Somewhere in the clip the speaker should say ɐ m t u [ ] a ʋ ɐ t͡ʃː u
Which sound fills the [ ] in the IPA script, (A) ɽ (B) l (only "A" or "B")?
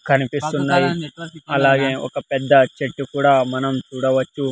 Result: A